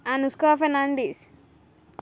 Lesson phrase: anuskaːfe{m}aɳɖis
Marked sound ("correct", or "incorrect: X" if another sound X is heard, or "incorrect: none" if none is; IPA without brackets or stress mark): incorrect: n